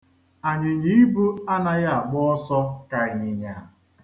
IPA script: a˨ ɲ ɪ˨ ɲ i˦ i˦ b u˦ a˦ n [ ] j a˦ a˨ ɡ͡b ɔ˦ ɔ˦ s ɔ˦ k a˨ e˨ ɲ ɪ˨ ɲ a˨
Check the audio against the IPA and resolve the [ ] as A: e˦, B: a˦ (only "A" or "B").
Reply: B